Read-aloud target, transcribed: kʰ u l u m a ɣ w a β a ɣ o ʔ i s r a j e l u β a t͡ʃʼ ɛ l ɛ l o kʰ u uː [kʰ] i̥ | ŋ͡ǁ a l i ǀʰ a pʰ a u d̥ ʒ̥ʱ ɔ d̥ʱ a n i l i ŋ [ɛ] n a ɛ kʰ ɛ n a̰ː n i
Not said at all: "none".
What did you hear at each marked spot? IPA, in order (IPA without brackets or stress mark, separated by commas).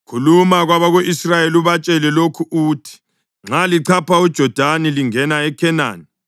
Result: tʰ, ɛ